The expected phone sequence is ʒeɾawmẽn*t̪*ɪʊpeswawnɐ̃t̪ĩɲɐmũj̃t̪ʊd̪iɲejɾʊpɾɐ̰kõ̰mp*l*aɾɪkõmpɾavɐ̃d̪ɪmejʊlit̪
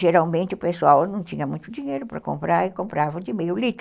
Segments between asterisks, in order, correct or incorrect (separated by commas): correct, incorrect